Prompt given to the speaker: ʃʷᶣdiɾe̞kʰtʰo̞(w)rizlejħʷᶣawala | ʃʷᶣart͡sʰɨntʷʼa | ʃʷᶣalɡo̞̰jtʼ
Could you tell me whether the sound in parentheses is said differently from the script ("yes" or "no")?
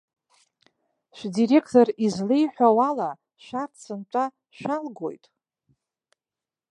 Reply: yes